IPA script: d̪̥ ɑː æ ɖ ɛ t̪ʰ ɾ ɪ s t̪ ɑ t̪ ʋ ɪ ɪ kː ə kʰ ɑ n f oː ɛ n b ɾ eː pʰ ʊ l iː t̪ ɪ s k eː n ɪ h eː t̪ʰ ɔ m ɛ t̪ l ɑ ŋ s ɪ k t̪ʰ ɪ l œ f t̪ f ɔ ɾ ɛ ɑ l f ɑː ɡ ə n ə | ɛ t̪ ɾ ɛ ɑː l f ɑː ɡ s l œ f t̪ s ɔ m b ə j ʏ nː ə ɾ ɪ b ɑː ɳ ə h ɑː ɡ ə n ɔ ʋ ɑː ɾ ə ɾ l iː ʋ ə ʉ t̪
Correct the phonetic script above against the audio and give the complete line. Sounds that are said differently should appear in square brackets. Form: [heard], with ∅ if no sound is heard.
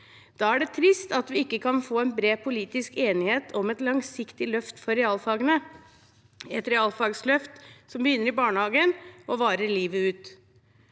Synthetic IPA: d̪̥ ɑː æ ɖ ɛ t̪ʰ ɾ ɪ s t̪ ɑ t̪ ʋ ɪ ɪ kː ə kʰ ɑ n f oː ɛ n b ɾ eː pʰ ʊ l iː t̪ ɪ s k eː n ɪ h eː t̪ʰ ɔ m ɛ t̪ l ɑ ŋ s ɪ k [t̪] ɪ l œ f t̪ f ɔ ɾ ɛ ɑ l f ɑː ɡ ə n ə | ɛ t̪ ɾ ɛ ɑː l f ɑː ɡ s l œ f t̪ s ɔ m b ə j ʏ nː ə ɾ ɪ b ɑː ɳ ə h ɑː ɡ ə n ɔ ʋ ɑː ɾ ə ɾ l iː ʋ ə [ʉː] t̪